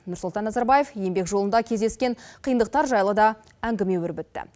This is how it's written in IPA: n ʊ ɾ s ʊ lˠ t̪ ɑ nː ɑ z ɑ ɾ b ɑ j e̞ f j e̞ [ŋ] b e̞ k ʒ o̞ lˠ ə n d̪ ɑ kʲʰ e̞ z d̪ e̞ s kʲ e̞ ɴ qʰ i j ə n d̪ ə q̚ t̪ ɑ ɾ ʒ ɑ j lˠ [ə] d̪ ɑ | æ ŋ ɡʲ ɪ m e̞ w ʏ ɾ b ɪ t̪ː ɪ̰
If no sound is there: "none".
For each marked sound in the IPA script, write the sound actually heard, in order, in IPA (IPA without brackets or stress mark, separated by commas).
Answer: m, ə